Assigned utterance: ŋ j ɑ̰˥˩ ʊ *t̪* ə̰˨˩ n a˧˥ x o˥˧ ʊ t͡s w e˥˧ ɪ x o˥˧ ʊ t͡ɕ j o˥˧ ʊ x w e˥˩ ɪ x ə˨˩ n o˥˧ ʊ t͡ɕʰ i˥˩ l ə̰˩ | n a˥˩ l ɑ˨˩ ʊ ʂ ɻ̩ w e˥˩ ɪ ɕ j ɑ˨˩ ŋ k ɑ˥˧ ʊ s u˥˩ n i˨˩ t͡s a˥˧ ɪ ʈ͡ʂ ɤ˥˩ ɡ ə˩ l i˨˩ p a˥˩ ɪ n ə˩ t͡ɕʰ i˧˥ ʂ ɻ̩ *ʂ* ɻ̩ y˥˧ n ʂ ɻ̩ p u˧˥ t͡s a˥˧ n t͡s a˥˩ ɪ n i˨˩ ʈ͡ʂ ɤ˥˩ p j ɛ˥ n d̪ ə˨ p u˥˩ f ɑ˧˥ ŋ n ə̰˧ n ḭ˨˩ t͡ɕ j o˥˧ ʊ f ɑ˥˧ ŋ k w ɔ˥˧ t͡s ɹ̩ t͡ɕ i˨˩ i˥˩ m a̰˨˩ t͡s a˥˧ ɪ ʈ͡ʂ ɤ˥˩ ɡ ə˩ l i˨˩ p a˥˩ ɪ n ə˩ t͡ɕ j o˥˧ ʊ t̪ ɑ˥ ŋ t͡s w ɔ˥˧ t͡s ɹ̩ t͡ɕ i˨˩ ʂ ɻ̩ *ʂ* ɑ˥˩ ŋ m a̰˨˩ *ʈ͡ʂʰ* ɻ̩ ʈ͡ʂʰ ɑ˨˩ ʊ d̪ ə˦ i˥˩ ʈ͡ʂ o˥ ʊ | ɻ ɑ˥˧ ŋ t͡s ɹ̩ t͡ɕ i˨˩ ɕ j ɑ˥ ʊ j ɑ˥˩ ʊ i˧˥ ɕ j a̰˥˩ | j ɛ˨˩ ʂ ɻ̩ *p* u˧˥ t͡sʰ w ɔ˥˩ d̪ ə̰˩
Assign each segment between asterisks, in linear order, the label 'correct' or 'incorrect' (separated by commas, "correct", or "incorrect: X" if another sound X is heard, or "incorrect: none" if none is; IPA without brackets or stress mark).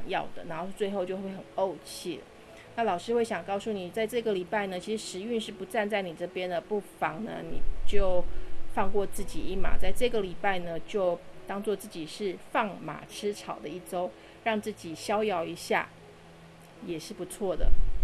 incorrect: d̪, correct, incorrect: f, correct, correct